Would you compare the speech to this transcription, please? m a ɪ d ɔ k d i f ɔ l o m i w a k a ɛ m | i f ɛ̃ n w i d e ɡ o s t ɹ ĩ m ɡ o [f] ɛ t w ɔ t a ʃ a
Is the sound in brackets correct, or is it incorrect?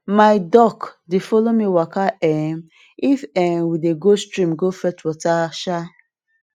correct